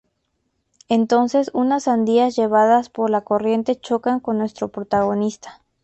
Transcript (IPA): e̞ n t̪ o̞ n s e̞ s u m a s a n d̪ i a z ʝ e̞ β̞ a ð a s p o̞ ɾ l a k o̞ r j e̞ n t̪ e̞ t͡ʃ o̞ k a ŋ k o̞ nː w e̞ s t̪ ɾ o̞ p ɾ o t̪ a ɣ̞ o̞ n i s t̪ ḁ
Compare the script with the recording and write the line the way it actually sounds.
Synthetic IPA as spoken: e̞ n t̪ o̞ n s e̞ s u n a s a n d̪ i a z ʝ e̞ β̞ a ð a s p o̞ ɾ l a k o̞ r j e̞ n t̪ e̞ t͡ʃ o̞ k a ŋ k o̞ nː w e̞ s t̪ ɾ o̞ p ɾ o t̪ a ɣ̞ o̞ n i s t̪ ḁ